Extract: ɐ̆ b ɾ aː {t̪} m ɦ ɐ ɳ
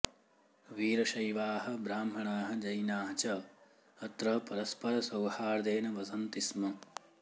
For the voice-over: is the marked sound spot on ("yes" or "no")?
no